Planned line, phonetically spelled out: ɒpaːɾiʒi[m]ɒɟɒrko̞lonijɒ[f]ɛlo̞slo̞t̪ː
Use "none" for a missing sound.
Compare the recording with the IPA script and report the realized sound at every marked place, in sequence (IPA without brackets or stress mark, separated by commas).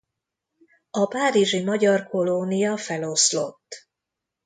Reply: m, f